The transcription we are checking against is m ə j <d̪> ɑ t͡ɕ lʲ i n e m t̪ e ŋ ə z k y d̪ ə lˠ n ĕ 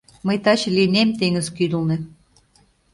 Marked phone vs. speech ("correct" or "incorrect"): incorrect